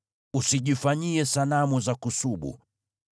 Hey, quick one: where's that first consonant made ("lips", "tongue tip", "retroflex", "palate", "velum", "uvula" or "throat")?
tongue tip